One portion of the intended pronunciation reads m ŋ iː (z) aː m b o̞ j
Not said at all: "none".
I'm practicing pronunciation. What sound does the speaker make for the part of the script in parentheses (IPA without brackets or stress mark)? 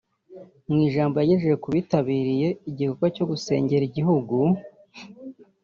ʒ